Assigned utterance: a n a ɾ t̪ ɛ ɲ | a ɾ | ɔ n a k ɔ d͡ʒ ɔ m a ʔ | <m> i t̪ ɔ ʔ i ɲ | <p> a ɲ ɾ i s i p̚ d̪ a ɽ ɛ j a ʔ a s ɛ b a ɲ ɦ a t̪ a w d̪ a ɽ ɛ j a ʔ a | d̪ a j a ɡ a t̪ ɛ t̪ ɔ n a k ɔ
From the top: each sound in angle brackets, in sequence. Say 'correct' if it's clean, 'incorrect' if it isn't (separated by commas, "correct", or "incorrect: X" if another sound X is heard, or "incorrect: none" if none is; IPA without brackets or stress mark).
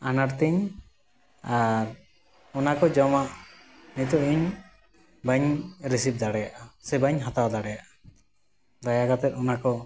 incorrect: n, incorrect: b